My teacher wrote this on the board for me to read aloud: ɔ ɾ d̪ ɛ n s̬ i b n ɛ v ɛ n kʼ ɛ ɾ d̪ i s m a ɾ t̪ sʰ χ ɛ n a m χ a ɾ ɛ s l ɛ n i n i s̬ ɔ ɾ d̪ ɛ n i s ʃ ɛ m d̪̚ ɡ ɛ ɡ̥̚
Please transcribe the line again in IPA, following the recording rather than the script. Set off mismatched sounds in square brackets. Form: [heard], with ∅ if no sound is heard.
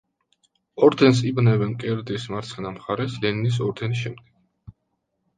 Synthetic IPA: ɔ ɾ d̪ ɛ n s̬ i b n ɛ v ɛ n kʼ ɛ ɾ d̪ i s m a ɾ t̪ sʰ χ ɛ n a m χ a ɾ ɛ s l ɛ n i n i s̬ ɔ ɾ d̪ ɛ n i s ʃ ɛ m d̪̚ ɡ ɛ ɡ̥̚